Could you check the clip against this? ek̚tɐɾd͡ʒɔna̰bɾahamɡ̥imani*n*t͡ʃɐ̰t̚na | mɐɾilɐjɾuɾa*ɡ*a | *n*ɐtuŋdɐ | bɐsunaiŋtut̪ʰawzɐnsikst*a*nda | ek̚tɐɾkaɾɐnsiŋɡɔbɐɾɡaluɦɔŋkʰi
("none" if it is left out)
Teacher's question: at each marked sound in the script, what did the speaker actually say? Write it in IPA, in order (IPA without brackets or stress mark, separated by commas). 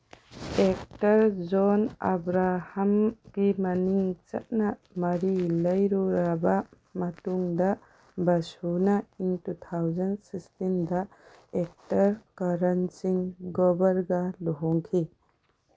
ŋ, b, m, i